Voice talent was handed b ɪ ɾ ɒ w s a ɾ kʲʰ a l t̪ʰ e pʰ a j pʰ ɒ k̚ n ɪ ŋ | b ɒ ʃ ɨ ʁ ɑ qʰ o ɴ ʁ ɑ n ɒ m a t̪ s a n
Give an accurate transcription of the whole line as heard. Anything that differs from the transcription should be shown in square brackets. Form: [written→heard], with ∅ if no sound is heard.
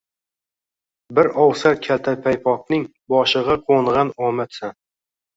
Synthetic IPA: b ɪ ɾ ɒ w s a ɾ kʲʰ a l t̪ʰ [e→a] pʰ a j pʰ ɒ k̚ n ɪ ŋ | b ɒ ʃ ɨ ʁ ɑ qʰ o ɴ ʁ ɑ n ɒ m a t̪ s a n